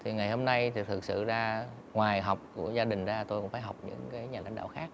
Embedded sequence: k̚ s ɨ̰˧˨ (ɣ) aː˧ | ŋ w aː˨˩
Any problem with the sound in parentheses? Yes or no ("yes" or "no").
yes